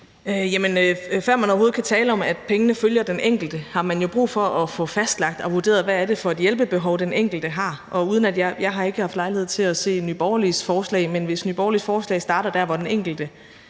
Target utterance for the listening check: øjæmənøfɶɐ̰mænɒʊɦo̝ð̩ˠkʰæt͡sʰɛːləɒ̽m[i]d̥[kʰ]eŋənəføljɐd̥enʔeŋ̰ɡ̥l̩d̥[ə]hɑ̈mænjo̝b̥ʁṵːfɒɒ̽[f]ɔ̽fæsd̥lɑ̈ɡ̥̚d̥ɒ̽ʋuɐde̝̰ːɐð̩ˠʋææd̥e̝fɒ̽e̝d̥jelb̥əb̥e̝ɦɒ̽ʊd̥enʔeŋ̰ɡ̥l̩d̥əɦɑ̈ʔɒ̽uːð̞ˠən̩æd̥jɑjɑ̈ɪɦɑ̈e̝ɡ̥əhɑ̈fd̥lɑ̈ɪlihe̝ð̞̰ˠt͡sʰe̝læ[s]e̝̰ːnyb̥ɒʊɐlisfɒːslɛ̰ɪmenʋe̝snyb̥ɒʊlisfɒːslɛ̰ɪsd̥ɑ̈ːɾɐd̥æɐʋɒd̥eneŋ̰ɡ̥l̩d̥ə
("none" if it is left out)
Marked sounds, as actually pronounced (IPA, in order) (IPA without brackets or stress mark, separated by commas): æ, pʰ, ə, f, s